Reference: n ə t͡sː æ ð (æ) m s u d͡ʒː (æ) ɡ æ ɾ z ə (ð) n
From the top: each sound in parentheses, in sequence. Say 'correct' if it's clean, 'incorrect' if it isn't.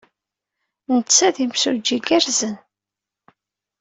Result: incorrect: i, incorrect: i, incorrect: none

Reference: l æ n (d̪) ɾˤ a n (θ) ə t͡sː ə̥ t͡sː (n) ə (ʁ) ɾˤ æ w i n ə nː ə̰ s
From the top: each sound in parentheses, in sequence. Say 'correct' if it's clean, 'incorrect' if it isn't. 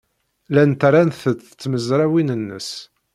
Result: incorrect: t̪, correct, incorrect: m, incorrect: z

